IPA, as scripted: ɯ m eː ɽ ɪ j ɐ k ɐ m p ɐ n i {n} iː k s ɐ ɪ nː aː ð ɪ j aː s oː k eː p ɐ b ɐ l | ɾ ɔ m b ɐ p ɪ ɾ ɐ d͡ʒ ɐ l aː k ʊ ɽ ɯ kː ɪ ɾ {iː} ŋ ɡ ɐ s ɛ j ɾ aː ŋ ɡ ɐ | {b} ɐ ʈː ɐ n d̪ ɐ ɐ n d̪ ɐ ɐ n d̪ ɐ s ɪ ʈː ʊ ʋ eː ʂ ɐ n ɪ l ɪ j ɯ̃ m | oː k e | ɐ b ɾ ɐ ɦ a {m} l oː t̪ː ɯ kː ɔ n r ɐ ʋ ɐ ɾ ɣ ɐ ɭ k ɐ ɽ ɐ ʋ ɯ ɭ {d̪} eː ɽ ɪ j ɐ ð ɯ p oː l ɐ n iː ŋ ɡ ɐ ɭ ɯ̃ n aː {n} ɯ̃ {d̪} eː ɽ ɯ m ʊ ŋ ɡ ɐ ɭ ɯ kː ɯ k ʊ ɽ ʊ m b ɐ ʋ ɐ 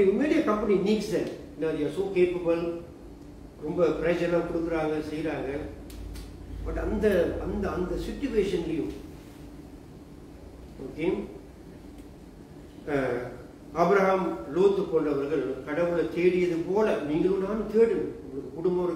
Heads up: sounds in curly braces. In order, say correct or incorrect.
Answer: correct, incorrect, correct, correct, incorrect, correct, incorrect

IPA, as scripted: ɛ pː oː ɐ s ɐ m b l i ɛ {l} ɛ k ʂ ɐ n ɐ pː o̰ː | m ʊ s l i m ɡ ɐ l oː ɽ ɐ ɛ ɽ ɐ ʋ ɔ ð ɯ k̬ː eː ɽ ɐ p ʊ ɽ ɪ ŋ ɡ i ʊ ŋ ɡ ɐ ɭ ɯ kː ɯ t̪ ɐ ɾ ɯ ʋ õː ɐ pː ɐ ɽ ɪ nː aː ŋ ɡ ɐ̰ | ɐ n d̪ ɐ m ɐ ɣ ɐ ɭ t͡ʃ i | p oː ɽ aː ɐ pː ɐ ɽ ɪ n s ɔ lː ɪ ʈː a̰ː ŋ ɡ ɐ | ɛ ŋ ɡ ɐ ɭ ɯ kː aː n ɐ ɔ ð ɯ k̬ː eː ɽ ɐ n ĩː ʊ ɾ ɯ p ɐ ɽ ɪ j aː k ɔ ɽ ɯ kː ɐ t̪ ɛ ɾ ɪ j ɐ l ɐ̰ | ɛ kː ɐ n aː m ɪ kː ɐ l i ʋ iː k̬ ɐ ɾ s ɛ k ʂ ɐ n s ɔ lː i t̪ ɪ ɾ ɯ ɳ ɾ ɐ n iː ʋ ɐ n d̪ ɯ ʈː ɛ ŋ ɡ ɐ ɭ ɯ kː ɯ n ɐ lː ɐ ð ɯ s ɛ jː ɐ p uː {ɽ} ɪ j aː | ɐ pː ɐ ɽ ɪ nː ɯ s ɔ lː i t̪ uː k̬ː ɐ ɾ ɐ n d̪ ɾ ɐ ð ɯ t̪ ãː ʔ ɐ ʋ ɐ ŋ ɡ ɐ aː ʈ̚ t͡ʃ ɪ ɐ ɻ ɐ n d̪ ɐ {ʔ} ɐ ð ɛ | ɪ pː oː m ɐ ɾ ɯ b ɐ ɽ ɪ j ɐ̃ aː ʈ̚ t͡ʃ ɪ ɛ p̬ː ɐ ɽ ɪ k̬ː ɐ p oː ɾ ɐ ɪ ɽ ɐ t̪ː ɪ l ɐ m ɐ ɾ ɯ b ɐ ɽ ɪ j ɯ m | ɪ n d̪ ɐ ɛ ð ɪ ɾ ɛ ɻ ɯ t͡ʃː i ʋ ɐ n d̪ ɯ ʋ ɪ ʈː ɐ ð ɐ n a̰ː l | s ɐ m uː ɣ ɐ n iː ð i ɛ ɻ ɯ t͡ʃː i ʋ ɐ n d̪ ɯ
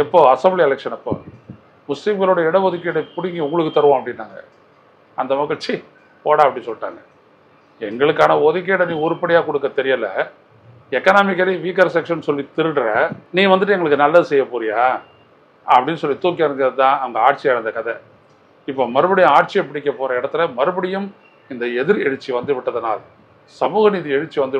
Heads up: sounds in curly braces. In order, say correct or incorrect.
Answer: correct, incorrect, incorrect

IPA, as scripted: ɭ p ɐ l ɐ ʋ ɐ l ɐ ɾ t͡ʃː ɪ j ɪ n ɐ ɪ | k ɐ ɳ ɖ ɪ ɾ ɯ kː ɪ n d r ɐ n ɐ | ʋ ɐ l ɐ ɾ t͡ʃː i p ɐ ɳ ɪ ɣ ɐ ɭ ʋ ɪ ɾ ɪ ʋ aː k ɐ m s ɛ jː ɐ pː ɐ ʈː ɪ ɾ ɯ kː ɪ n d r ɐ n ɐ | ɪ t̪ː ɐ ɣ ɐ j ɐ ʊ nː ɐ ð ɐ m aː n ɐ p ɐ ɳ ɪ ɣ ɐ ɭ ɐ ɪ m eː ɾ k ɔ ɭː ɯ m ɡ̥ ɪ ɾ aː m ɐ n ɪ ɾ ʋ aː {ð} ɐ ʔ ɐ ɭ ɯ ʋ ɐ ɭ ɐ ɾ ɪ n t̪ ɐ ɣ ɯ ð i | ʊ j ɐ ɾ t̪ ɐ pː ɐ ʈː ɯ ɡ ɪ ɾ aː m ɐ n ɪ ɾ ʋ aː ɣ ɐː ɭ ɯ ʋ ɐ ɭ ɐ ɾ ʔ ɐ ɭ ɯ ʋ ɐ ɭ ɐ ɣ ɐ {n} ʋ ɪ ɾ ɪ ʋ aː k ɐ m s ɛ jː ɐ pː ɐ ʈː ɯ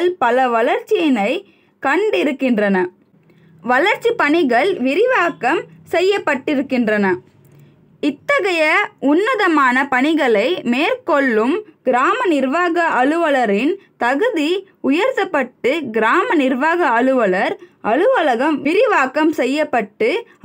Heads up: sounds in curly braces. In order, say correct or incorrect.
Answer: incorrect, incorrect

